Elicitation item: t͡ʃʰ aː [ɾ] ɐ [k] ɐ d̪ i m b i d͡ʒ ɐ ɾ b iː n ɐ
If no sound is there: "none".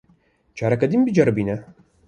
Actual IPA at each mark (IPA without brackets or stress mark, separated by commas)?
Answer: ɾ, k